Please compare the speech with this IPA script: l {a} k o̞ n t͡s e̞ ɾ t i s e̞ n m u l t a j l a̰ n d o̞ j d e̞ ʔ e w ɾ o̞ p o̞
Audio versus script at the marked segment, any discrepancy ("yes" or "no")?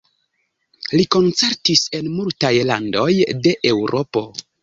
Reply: yes